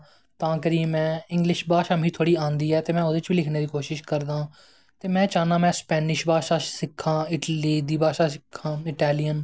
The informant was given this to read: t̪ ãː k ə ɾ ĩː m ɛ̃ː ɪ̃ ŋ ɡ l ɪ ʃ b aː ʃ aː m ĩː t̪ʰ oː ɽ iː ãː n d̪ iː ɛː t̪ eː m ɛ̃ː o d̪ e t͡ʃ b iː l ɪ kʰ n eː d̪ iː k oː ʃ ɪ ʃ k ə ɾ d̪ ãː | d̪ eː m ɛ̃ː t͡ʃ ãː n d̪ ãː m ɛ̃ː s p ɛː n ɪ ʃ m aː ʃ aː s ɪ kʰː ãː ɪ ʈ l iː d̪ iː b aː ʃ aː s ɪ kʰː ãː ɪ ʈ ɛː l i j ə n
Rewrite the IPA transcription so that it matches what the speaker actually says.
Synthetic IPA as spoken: t̪ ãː k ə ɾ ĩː m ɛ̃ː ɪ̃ ŋ ɡ l ɪ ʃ b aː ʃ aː m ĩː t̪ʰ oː ɽ iː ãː n d̪ iː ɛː t̪ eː m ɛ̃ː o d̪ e t͡ʃ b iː l ɪ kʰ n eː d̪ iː k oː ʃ ɪ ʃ k ə ɾ d̪ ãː | t̪ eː m ɛ̃ː t͡ʃ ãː n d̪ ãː m ɛ̃ː s p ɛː n ɪ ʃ b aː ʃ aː s ɪ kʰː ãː ɪ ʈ l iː d̪ iː b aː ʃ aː s ɪ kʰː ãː ɪ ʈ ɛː l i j ə n

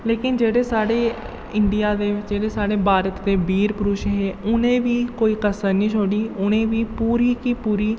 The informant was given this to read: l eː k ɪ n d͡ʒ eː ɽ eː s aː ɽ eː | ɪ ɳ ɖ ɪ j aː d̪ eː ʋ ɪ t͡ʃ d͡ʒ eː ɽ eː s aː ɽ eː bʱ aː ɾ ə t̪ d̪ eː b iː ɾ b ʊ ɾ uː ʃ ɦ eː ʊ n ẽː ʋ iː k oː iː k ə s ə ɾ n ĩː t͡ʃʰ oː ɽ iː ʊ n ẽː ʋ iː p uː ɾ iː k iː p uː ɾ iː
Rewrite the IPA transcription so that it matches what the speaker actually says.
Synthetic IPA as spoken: l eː k ɪ n d͡ʒ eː ɽ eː s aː ɽ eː | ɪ ɳ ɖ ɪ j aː d̪ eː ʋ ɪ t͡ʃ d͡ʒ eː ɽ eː s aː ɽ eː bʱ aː ɾ ə t̪ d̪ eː b iː ɾ p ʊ ɾ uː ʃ ɦ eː ʊ n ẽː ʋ iː k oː iː k ə s ə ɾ n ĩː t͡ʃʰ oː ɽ iː ʊ n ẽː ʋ iː p uː ɾ iː k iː p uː ɾ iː

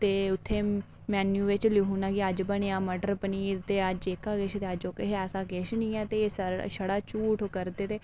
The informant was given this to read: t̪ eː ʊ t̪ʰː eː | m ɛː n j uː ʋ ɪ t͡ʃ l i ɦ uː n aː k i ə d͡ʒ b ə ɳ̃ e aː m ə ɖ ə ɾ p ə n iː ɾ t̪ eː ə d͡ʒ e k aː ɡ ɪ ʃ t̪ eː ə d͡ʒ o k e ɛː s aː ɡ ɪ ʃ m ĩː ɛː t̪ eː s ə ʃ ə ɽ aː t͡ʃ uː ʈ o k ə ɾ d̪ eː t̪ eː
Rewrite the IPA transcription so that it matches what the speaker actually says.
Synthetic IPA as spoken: t̪ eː ʊ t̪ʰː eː | m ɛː n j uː ʋ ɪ t͡ʃ l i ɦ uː n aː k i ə d͡ʒ b ə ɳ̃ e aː m ə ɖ ə ɾ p ə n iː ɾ t̪ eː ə d͡ʒ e k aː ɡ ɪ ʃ t̪ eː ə d͡ʒ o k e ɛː s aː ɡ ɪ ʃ n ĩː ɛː t̪ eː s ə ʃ ə ɽ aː t͡ʃ uː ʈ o k ə ɾ d̪ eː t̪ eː

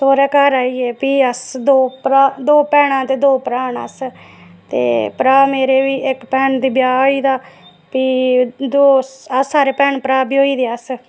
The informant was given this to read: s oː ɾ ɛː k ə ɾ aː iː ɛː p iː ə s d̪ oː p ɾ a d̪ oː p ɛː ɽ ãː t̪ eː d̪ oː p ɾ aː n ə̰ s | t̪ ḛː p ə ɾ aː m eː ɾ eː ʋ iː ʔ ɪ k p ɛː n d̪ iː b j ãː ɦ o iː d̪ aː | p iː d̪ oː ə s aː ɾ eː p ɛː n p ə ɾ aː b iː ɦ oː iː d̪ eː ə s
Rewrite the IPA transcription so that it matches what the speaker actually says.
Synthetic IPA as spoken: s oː ɾ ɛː k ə ɾ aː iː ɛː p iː ə s d̪ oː p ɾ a d̪ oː p ɛː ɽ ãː t̪ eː d̪ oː p ɾ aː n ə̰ s | t̪ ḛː p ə ɾ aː m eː ɾ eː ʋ iː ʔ ɪ k p ɛː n d̪ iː b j aː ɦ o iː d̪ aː | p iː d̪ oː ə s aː ɾ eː p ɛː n p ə ɾ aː b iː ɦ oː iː d̪ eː ə s

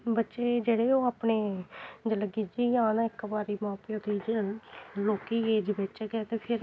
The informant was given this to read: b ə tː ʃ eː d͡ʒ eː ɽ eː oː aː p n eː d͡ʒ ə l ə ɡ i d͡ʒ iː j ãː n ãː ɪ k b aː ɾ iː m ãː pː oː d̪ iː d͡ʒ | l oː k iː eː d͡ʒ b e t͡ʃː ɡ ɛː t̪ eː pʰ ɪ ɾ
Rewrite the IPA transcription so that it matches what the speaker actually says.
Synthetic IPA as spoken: b ə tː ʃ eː d͡ʒ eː ɽ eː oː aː p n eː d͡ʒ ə l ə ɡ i d͡ʒ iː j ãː n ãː ɪ k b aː ɾ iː m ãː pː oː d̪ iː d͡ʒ | l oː k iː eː d͡ʒ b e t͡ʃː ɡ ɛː t̪ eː pʰ ɪ ɾ

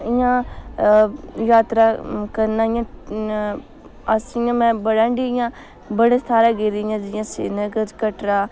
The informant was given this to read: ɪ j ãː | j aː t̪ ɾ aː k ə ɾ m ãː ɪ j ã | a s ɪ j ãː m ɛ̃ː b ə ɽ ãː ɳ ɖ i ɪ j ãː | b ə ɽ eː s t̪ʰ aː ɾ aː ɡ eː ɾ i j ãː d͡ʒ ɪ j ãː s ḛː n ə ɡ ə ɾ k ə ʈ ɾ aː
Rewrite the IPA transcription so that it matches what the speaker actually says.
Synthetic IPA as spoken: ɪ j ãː | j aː t̪ ɾ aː k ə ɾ n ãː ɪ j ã | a s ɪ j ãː m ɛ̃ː b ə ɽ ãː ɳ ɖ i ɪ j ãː | b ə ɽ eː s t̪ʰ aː ɾ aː ɡ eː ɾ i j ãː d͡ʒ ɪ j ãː s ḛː n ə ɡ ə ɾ k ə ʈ ɾ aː

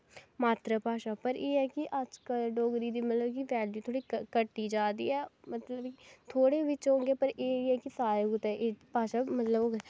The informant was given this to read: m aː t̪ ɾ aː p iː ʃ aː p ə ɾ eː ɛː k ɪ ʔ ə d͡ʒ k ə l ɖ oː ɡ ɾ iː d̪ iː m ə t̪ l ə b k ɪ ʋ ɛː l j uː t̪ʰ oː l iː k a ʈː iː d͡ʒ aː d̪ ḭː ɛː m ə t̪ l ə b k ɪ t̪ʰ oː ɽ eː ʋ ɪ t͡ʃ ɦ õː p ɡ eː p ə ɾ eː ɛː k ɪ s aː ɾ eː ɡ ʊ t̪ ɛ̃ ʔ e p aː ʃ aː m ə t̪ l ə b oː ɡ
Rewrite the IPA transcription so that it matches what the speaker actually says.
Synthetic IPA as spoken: m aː t̪ ɾ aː p aː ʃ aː p ə ɾ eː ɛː k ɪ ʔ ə d͡ʒ k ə l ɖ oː ɡ ɾ iː d̪ iː m ə t̪ l ə b k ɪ ʋ ɛː l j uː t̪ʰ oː ɽ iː k ə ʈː iː d͡ʒ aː d̪ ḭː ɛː m ə t̪ l ə b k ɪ t̪ʰ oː ɽ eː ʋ ɪ t͡ʃ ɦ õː ɡ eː p ə ɾ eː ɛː k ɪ s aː ɾ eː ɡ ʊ t̪ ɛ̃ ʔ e p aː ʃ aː m ə t̪ l ə b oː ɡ

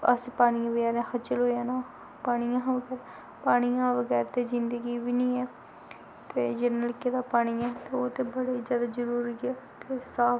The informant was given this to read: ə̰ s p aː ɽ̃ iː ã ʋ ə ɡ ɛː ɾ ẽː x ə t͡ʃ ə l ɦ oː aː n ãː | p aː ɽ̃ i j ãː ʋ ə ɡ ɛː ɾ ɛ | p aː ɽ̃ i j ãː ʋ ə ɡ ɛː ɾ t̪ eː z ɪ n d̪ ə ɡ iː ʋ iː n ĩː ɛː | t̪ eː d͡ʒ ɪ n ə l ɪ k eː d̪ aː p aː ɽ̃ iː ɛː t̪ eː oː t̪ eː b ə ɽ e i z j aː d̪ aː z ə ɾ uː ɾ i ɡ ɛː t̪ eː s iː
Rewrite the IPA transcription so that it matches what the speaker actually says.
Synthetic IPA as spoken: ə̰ s p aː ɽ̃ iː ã ʋ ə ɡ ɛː ɾ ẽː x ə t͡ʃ ə l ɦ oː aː n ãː | p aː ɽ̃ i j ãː ʋ ə ɡ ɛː ɾ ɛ | p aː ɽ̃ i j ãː ʋ ə ɡ ɛː ɾ t̪ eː z ɪ n d̪ ə ɡ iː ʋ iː n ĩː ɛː | t̪ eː d͡ʒ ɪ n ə l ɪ k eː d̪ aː p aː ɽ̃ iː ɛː t̪ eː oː t̪ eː b ə ɽ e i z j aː d̪ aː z ə ɾ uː ɾ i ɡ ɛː t̪ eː s aː

